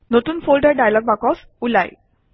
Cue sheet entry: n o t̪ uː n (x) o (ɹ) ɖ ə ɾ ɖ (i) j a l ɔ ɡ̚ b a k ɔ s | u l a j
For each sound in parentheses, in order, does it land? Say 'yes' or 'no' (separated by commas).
no, no, no